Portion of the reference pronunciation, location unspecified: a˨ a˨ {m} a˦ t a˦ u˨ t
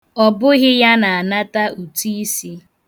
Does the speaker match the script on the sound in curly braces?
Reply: no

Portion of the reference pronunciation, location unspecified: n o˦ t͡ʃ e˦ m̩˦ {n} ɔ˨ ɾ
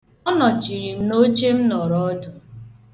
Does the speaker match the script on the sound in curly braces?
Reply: yes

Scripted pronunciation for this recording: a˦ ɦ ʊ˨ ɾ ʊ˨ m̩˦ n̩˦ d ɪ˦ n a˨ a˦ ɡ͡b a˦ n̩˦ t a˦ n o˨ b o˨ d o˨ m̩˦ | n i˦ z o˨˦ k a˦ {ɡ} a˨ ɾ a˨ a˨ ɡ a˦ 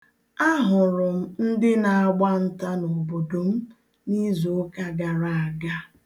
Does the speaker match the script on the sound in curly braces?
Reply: yes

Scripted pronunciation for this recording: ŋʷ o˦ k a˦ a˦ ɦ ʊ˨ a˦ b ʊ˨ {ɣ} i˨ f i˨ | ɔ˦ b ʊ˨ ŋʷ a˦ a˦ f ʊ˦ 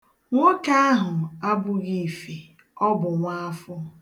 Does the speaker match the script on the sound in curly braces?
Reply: yes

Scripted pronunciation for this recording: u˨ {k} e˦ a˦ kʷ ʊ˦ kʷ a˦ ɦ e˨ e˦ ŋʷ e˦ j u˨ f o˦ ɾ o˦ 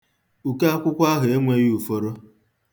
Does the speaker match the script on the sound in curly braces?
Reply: yes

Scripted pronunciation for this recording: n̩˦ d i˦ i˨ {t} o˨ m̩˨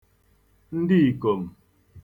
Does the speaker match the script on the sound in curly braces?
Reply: no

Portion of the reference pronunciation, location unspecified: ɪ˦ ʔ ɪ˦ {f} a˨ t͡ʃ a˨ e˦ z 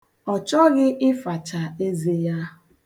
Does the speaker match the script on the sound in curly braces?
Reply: yes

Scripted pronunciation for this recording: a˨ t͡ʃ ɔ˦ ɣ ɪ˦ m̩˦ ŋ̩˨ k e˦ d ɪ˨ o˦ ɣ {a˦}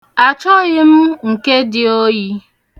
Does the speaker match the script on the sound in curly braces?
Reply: no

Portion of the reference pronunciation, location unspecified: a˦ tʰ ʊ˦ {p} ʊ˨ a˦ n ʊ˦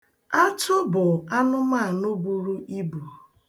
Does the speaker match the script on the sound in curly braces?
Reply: no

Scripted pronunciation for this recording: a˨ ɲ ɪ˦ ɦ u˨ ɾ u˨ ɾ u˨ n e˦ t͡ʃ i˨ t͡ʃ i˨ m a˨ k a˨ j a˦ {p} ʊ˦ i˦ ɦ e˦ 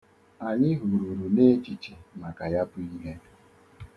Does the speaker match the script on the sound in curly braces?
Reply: yes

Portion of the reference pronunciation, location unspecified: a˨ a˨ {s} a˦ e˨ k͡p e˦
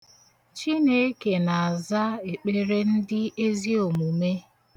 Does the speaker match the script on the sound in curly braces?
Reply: no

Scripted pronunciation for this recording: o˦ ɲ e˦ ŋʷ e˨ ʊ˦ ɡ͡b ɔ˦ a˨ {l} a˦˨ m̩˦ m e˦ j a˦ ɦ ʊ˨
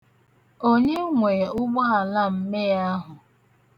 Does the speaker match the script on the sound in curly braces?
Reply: yes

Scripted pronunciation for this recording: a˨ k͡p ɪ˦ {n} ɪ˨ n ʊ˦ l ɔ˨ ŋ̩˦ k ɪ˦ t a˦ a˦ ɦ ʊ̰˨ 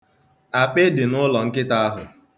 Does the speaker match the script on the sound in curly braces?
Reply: no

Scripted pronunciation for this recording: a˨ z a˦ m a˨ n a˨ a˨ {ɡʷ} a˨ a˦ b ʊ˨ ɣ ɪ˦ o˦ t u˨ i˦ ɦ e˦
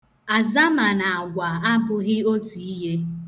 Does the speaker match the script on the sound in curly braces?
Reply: yes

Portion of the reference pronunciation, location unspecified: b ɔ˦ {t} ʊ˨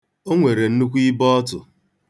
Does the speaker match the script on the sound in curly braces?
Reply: yes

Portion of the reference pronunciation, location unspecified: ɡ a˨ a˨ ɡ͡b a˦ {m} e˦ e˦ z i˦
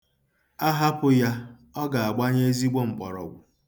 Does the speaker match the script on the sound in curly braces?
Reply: no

